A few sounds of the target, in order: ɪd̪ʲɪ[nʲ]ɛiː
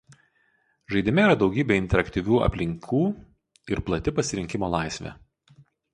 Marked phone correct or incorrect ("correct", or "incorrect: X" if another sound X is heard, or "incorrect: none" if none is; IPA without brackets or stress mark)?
incorrect: mʲ